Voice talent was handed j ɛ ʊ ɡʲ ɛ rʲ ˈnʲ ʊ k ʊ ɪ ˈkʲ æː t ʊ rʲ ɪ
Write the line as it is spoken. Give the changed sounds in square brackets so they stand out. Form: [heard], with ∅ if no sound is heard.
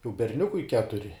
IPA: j ɛ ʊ [bʲ] ɛ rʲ ˈnʲ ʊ k ʊ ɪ ˈkʲ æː t ʊ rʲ ɪ